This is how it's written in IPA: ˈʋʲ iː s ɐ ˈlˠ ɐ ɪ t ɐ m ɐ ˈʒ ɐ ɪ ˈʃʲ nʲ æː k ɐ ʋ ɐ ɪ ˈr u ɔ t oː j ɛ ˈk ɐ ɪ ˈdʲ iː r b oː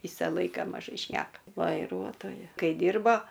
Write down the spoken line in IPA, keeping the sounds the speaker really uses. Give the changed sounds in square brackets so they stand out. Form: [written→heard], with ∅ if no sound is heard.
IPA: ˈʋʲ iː s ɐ ˈlˠ ɐ ɪ [t→k] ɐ m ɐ ˈʒ ɐ ɪ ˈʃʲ nʲ æː k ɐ ʋ ɐ ɪ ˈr u ɔ t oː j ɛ ˈk ɐ ɪ ˈdʲ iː r b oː